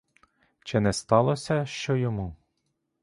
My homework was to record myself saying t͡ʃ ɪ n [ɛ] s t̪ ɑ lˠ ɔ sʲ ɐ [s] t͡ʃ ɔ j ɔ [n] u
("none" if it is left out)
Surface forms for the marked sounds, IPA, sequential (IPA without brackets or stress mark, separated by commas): ɛ, ʃ, m